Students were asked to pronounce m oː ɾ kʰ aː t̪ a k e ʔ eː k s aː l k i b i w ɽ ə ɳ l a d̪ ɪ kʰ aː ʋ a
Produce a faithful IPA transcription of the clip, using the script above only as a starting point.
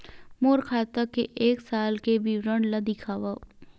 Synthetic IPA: m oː ɾ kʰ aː t̪ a k e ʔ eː k s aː l k e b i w ɾ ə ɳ l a d̪ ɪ kʰ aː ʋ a

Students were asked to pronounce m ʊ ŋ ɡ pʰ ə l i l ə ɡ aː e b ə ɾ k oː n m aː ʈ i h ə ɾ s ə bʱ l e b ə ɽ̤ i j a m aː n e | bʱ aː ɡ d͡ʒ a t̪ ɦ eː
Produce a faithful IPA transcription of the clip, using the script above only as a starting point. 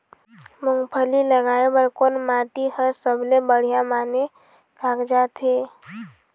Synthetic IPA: m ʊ ŋ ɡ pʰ ə l i l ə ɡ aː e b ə ɾ k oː n m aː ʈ i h ə ɾ s ə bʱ l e b ə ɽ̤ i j a m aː n e | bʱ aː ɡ d͡ʒ a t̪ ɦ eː

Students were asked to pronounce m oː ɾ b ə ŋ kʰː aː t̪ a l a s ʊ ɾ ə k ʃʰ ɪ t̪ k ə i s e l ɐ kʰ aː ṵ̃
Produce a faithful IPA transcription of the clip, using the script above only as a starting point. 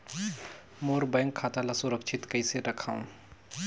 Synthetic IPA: m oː ɾ b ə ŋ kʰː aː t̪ a l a s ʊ ɾ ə k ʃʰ ɪ t̪ k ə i s e ɾ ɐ kʰ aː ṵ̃

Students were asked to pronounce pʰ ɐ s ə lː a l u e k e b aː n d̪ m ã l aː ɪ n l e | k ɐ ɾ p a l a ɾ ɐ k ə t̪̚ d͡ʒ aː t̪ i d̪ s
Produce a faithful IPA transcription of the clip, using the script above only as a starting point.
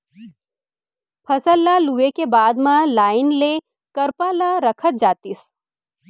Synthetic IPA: pʰ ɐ s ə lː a l u e k e b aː d̪ m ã l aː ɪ n l e | k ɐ ɾ p a l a ɾ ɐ kʰ ə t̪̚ d͡ʒ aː t̪ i s

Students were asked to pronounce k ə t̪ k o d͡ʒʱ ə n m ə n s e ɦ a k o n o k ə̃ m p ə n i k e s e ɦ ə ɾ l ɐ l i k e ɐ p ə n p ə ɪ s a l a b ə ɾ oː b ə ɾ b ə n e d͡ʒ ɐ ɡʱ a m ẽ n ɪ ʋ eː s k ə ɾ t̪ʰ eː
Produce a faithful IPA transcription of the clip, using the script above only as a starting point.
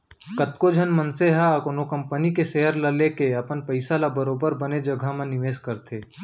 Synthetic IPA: k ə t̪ k o d͡ʒʱ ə n m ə n s e ɦ a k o n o k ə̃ m p ə n i k e s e ɦ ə ɾ l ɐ l e k e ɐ p ə n p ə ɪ s a l a b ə ɾ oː b ə ɾ b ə n e d͡ʒ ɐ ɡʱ a m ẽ n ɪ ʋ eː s k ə ɾ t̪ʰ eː

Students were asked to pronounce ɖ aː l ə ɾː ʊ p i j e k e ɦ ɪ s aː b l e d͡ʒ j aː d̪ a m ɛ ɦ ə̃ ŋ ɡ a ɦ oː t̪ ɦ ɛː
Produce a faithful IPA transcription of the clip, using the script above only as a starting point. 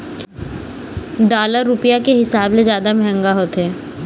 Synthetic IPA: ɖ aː l ə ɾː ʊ p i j a k e ɦ ɪ s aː b l e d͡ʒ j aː d̪ a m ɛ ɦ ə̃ ŋ ɡ a ɦ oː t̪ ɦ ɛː

